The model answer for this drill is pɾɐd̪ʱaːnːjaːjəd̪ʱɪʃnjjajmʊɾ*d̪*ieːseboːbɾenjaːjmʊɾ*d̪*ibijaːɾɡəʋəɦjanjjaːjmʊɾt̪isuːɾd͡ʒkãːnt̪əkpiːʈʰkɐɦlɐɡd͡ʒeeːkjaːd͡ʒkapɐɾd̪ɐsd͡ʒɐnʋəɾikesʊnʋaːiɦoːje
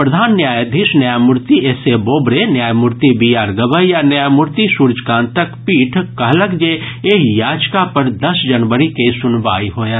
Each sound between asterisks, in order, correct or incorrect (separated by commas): incorrect, incorrect